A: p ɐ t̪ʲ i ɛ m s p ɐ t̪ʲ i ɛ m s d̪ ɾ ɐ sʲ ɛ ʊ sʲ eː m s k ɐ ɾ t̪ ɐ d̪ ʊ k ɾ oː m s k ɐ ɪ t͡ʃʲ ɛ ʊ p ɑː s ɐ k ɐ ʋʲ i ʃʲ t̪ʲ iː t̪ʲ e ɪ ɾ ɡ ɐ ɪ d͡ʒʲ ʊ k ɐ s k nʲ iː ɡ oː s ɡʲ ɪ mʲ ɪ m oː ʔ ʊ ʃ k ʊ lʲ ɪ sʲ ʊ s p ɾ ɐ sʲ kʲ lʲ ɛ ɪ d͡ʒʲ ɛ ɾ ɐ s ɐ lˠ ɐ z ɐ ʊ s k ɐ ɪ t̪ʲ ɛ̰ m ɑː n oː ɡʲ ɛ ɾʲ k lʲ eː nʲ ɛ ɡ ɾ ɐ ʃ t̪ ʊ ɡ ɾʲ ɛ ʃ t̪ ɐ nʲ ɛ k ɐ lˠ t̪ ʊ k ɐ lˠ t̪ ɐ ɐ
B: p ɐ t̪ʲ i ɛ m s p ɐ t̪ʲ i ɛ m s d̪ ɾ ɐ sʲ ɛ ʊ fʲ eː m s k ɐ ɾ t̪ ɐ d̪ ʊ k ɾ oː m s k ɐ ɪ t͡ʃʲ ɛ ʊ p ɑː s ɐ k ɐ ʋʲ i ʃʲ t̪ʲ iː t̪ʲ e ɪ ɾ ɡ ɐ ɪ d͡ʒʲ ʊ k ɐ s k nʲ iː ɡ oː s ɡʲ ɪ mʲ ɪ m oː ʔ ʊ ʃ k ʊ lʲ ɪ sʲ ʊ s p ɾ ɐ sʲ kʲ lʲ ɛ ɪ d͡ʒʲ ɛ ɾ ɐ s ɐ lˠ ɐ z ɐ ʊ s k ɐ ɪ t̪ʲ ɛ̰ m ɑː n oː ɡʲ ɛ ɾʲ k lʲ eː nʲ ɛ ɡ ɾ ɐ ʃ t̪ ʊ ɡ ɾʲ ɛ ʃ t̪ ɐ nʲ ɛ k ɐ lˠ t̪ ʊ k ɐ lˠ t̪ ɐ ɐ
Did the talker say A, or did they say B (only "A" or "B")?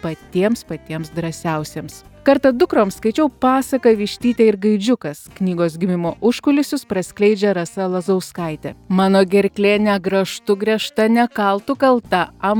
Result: A